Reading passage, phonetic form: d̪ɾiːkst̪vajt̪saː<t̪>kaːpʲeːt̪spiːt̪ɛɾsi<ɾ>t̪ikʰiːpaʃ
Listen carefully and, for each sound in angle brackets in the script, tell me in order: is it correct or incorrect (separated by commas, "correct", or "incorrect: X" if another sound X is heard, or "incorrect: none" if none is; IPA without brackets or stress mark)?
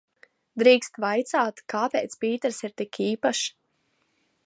correct, correct